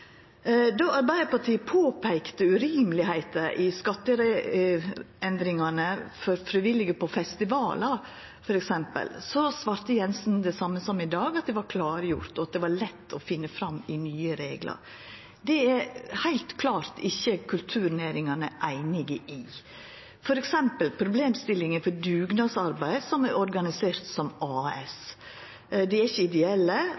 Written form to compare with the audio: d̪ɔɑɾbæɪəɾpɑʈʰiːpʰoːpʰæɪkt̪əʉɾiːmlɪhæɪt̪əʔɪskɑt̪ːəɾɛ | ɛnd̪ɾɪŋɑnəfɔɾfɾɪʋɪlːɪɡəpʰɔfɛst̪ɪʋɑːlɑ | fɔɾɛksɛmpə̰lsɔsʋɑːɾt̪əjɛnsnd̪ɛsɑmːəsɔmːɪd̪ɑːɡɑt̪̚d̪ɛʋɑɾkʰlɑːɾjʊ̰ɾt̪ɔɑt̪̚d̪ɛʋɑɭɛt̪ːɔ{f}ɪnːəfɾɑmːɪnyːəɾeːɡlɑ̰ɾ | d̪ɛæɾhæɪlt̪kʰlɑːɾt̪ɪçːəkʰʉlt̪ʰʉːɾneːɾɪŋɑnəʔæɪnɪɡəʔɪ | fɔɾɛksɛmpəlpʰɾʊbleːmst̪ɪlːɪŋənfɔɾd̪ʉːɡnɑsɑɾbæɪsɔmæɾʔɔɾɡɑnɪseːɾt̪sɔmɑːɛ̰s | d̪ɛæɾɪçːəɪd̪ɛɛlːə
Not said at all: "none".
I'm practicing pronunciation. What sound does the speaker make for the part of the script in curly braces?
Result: f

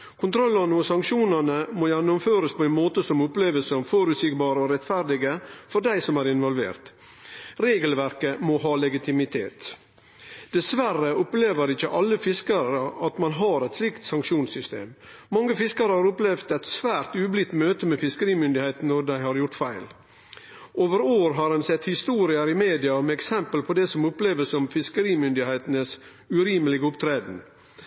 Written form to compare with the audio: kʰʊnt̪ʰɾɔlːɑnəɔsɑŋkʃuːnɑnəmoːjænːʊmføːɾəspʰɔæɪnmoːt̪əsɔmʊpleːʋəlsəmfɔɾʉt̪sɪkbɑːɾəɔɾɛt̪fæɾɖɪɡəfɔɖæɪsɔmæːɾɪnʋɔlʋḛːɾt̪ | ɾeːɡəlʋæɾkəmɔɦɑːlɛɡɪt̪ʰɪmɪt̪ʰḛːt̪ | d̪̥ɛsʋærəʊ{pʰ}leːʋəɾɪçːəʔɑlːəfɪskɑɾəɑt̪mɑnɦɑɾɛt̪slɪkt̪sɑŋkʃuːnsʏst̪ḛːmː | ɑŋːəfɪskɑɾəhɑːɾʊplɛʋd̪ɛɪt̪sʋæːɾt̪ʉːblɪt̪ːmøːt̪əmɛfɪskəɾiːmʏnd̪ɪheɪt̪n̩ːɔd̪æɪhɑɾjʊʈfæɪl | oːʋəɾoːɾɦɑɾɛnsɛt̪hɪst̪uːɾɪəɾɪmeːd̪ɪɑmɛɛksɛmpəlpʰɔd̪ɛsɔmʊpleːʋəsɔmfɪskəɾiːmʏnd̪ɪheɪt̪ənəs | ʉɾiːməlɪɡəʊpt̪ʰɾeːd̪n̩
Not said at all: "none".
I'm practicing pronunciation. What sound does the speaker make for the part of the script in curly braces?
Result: p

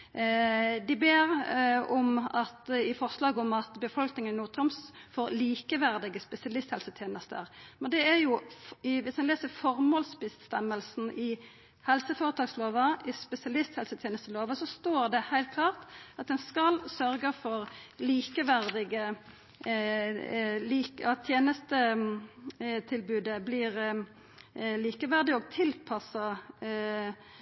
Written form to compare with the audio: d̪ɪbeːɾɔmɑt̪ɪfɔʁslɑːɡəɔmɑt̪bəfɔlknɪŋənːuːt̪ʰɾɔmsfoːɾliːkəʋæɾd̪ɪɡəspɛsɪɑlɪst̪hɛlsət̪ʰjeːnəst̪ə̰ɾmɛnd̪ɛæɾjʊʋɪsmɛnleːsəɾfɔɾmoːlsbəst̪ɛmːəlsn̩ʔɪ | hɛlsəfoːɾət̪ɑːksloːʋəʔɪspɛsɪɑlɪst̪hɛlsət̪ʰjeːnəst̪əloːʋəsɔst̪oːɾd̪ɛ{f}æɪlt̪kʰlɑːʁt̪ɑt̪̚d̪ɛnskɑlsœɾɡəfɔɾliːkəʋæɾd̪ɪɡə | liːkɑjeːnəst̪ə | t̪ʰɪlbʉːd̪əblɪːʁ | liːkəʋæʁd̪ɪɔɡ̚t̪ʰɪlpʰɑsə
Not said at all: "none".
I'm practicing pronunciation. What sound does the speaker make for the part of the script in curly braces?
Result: h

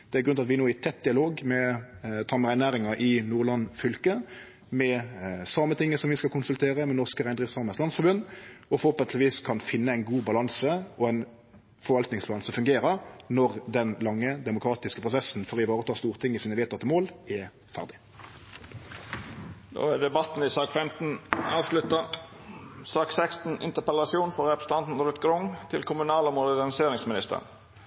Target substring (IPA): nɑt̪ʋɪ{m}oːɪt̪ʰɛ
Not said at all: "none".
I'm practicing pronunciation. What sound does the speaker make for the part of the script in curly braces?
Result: n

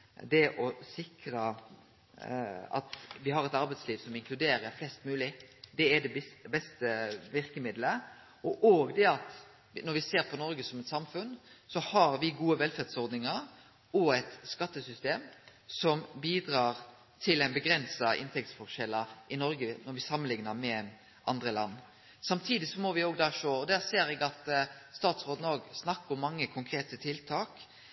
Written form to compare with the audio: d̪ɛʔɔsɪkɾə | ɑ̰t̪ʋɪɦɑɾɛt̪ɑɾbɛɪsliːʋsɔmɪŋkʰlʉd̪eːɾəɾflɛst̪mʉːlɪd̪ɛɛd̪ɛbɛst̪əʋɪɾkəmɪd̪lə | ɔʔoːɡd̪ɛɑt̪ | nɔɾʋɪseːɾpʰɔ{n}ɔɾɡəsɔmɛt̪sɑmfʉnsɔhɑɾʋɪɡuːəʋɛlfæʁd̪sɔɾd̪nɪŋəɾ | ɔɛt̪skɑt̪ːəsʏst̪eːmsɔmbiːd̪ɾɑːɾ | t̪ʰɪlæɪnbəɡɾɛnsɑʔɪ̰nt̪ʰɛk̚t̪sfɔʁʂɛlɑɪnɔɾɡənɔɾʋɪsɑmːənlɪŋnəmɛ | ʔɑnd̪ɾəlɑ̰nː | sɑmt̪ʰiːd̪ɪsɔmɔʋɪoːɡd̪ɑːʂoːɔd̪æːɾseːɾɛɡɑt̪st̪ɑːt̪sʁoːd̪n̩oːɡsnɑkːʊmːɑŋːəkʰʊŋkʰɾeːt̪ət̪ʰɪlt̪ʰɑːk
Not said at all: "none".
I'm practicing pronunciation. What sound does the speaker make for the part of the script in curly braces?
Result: n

